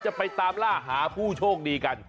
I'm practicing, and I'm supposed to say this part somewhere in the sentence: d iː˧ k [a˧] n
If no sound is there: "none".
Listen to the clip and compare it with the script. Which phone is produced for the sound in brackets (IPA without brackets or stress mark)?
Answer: a˧